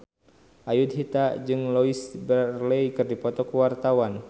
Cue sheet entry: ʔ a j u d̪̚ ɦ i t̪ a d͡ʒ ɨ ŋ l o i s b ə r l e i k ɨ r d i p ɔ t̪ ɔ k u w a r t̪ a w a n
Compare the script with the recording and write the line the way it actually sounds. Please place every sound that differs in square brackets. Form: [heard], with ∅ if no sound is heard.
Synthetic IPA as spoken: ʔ a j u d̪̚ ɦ i t̪ a d͡ʒ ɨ ŋ l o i s b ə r l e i k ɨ r d i p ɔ t̪ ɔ k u w a r t̪ a w a n